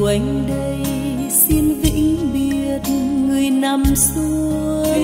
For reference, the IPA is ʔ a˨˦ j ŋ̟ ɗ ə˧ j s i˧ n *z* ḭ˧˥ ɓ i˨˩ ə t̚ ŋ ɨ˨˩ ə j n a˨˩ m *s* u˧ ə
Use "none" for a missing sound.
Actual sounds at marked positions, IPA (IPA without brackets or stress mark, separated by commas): v, s